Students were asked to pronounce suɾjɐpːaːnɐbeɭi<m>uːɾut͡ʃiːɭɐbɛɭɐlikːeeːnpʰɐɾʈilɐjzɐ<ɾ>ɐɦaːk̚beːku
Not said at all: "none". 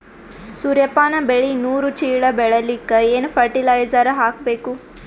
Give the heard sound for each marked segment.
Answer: n, ɾ

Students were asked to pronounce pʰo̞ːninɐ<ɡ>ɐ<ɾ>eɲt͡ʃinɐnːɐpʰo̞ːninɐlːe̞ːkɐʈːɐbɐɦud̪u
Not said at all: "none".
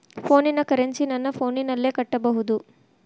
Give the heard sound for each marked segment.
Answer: k, ɾ

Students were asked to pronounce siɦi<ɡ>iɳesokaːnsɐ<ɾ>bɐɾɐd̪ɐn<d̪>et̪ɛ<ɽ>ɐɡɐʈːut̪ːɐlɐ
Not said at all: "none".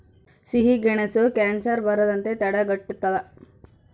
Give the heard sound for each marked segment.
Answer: ɡ, ɾ, t̪, ɽ

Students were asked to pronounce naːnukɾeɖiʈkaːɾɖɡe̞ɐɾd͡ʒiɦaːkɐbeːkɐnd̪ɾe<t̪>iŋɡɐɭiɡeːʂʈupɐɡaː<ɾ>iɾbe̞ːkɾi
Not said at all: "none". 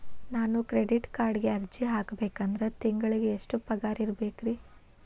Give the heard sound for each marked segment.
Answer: t̪, ɾ

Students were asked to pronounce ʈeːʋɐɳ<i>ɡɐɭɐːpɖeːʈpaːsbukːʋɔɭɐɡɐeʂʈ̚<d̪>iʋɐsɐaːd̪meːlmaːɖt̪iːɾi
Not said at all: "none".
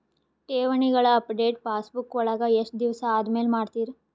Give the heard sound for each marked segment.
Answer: i, d̪

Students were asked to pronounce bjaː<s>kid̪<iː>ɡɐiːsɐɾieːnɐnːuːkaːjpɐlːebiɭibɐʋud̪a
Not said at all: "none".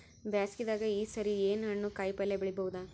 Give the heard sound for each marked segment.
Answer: s, aː

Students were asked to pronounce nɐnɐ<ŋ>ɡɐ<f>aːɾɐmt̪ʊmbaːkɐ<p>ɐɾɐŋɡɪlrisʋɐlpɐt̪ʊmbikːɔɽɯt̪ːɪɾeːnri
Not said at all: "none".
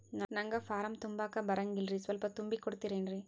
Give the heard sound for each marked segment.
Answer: ŋ, f, b

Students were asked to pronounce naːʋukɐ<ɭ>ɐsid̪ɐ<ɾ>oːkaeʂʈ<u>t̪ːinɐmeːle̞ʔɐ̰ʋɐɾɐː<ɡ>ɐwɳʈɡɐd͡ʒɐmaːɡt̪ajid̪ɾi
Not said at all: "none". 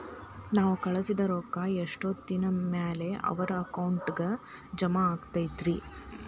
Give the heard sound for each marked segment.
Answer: ɭ, ɾ, o, k

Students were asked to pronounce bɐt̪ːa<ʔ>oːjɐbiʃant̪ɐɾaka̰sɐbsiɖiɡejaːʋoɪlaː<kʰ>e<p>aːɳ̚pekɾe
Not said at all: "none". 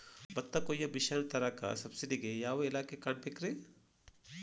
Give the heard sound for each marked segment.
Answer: k, k, k

